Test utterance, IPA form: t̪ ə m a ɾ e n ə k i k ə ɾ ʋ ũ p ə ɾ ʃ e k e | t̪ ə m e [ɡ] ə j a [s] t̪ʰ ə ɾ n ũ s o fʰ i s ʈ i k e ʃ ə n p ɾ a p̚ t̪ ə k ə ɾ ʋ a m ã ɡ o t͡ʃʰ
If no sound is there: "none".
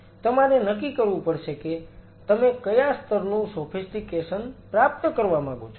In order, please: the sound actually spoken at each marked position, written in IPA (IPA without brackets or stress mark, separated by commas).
k, s